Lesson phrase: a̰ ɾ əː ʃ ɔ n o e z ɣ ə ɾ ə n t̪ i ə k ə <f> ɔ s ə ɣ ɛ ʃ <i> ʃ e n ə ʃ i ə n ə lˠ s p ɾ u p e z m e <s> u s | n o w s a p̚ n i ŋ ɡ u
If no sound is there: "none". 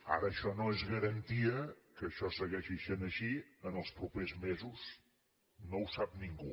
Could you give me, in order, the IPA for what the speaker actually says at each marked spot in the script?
ʃ, i, z

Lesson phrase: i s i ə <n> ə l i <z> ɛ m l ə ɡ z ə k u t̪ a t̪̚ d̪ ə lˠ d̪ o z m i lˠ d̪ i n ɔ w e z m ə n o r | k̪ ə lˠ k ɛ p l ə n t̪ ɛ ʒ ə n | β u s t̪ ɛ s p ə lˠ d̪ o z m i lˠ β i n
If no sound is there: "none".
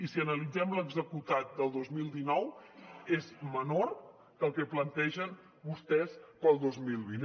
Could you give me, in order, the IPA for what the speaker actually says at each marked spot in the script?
n, d͡z

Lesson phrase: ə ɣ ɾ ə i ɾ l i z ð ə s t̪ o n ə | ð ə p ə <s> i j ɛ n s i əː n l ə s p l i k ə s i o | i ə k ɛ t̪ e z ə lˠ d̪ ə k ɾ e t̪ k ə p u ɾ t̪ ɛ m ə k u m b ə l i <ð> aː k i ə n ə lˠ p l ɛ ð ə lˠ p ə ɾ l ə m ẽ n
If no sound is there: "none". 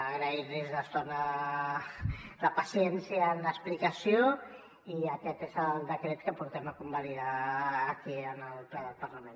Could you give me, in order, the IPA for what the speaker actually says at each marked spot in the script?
s, ð

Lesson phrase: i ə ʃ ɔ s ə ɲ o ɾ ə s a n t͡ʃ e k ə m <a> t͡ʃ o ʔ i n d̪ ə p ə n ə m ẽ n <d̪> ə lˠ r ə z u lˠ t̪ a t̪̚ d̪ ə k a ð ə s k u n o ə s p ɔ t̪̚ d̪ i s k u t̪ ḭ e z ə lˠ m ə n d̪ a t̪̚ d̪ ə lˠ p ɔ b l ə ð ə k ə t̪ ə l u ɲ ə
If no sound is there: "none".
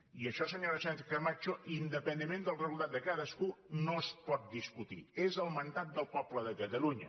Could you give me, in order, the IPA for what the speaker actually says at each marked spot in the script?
a, d̪

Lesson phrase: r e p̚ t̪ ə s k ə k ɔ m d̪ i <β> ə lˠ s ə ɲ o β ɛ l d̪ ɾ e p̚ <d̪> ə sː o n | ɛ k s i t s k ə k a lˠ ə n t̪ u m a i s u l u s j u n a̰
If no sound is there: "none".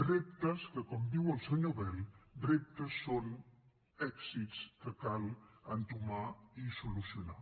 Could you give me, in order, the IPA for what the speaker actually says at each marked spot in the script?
w, t̪

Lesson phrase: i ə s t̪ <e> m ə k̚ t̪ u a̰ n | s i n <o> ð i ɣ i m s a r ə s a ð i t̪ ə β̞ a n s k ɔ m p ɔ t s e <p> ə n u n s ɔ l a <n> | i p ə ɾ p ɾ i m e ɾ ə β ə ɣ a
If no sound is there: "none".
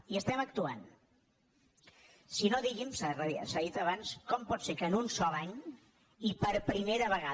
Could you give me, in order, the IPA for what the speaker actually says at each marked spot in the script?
ɛ, o, k, ɲ

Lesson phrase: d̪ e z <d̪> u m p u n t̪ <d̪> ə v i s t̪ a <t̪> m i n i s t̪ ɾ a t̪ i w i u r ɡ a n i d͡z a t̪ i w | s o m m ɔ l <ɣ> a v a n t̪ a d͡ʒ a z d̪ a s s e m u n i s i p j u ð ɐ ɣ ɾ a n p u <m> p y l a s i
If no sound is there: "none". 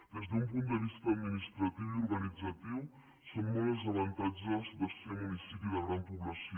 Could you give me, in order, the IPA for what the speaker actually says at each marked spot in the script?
d̪, d̪, d̪, z, none

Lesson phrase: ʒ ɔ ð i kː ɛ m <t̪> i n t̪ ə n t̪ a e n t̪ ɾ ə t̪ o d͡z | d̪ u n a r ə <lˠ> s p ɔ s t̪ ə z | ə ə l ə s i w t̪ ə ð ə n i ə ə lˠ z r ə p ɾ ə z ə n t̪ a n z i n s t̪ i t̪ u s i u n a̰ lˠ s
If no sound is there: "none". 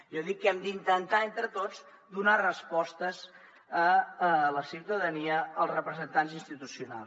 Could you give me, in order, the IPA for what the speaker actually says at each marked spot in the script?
d̪, none

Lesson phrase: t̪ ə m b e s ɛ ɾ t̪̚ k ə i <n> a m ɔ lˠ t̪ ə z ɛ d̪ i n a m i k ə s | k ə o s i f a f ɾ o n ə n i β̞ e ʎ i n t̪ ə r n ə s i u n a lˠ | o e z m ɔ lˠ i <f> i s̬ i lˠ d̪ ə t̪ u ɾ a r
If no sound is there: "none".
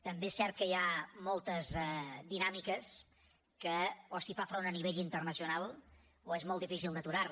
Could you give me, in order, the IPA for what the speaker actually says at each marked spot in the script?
none, f

